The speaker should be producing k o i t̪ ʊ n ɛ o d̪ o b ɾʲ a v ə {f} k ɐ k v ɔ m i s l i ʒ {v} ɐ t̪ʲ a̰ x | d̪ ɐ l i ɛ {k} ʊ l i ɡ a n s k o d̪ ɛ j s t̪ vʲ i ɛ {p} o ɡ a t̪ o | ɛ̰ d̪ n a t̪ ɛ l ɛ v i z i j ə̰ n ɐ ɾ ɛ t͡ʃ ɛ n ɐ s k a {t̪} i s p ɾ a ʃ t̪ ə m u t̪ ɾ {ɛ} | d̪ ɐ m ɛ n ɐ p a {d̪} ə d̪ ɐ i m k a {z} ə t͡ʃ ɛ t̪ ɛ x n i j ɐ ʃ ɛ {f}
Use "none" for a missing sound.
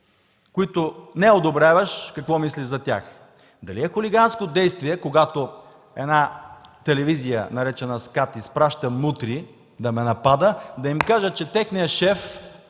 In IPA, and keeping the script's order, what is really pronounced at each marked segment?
ʃ, z, x, k, t̪, i, d̪, ʒ, f

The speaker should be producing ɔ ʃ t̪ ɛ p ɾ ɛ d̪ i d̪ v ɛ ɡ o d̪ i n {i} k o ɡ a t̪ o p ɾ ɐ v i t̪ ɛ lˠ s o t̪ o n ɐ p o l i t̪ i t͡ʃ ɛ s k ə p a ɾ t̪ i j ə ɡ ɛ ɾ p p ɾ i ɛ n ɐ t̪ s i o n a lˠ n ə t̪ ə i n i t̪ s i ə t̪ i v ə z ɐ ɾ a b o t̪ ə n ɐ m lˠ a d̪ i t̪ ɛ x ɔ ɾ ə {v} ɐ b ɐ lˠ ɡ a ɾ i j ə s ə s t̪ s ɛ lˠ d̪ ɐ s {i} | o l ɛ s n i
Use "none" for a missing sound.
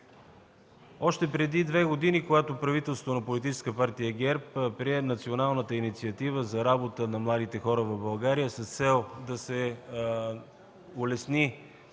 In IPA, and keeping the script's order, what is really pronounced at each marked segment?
i, v, ɛ

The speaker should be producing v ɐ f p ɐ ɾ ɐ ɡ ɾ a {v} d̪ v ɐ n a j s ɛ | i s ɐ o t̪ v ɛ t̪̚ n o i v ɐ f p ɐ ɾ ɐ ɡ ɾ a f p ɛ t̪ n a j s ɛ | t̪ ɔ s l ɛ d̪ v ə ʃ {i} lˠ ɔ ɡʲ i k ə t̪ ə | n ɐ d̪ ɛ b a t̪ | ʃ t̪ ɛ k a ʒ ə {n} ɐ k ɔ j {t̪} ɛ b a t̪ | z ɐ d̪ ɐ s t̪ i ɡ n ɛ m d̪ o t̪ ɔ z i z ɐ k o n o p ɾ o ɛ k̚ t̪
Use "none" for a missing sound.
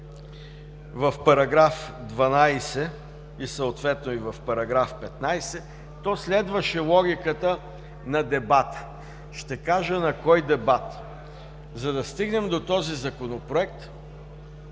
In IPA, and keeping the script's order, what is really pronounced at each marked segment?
f, ɛ, n, d̪

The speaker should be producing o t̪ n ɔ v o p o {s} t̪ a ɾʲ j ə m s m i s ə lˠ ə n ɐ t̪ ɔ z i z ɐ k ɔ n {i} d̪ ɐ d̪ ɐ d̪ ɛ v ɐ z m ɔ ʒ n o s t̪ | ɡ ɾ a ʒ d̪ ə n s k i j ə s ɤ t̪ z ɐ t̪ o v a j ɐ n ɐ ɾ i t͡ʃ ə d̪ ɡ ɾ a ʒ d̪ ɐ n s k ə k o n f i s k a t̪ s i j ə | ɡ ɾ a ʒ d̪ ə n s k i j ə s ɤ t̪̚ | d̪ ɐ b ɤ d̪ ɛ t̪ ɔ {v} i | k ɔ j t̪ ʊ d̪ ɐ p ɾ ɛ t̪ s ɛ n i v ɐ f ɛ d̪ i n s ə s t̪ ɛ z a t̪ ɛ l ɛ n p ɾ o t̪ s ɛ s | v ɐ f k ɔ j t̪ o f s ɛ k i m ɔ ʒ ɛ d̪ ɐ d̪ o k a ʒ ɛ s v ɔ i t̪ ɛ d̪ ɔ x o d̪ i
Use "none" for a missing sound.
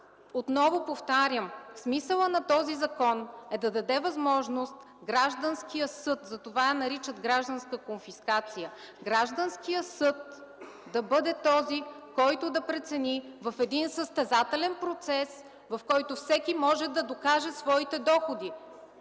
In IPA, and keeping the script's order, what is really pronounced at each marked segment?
f, ɛ, z

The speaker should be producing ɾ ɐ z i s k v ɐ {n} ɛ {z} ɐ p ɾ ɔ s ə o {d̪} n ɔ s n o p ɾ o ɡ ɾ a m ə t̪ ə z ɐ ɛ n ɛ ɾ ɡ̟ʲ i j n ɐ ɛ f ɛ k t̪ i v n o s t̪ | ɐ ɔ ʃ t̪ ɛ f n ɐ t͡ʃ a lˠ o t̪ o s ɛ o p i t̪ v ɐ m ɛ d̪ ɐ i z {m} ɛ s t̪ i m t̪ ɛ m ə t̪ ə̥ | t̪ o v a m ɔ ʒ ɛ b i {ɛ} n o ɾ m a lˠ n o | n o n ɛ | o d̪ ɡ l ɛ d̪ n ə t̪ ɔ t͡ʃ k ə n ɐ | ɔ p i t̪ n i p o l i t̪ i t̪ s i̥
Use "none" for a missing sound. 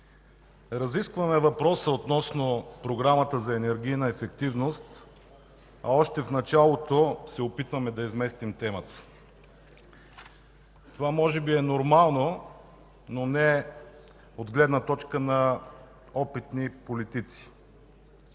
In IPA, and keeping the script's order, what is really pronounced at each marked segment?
m, v, t̪, m, ɛ

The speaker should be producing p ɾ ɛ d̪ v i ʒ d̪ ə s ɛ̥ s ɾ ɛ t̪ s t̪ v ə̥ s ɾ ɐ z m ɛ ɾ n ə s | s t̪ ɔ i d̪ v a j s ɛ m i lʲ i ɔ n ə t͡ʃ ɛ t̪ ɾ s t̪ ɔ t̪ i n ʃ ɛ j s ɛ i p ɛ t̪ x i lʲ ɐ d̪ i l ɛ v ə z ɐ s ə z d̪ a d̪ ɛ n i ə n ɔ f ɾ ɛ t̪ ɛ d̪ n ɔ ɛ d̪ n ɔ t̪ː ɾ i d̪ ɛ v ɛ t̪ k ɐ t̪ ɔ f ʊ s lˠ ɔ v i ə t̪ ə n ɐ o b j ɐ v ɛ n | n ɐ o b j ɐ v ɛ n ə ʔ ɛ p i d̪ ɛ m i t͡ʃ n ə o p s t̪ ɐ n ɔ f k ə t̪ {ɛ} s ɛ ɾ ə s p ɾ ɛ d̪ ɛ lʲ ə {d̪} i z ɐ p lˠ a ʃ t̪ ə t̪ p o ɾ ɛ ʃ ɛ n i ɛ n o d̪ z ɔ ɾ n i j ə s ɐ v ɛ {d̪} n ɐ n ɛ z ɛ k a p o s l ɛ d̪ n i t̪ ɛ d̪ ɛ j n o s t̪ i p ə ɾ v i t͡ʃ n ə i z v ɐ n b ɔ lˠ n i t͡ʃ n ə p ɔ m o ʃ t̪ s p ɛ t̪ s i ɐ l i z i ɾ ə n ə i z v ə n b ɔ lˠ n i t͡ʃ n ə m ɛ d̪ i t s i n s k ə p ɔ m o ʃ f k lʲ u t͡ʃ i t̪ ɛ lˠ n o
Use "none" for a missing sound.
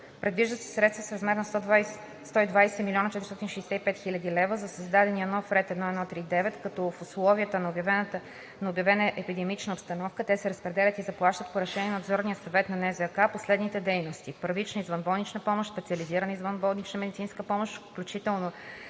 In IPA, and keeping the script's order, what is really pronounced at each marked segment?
ɛ, t̪, t̪

